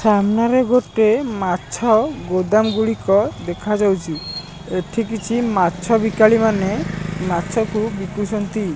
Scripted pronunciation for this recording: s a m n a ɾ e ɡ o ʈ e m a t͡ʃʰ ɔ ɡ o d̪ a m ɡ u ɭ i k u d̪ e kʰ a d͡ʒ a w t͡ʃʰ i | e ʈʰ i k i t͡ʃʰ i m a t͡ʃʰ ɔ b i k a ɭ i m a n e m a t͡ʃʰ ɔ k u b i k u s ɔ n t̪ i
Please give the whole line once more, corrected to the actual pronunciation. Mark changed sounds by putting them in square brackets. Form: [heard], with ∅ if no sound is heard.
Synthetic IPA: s a m n a ɾ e ɡ o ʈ e m a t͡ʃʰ ɔ ɡ o d̪ a m ɡ u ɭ i k [ɔ] d̪ e kʰ a d͡ʒ a w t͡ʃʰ i | e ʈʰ i k i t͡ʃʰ i m a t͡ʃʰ ɔ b i k a ɭ i m a n e m a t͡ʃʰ ɔ k u b i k u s ɔ n t̪ i